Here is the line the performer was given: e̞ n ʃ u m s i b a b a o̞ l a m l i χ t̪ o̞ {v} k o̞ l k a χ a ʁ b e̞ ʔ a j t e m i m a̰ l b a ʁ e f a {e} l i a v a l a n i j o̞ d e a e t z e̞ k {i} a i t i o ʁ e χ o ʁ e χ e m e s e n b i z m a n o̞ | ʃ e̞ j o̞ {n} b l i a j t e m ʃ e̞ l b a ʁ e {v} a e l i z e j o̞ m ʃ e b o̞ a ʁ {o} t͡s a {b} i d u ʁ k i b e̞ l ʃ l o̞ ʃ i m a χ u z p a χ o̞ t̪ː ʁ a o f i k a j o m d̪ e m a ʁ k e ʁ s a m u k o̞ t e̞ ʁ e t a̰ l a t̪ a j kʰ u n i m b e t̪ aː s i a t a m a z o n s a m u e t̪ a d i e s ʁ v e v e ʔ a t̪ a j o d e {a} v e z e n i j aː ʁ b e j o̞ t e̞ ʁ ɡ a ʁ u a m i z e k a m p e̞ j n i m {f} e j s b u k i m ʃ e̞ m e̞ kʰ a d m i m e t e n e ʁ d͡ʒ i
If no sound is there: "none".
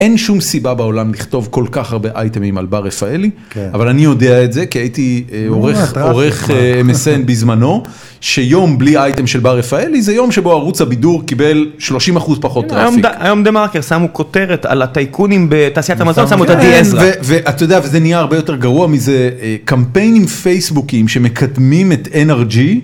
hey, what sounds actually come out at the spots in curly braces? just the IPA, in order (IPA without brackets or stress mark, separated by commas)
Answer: v, e, i, m, f, u, b, a, f